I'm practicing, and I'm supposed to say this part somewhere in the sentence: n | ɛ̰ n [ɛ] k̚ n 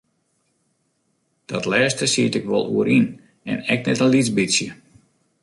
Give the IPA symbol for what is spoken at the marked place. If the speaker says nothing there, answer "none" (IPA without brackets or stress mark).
ɛ